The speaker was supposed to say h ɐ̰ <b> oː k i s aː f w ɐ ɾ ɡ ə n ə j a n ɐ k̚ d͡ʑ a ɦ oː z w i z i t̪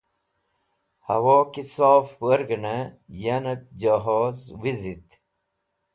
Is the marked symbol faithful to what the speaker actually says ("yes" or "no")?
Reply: no